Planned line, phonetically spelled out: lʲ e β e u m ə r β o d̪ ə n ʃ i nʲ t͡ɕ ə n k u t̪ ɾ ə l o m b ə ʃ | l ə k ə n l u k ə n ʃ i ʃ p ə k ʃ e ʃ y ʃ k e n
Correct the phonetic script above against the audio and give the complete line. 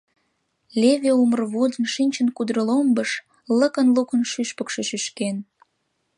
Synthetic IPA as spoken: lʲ e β e u m ə r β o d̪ ə n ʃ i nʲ t͡ɕ ə n k u d̪ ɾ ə l o m b ə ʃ | l ə k ə n l u k ə n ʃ y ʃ p ə k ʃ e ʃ y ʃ k e n